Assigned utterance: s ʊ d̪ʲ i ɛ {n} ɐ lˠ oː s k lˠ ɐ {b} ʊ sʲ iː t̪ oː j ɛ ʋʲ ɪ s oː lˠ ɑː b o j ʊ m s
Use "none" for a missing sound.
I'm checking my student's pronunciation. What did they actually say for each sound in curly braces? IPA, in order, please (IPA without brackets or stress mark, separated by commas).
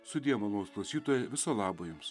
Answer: m, none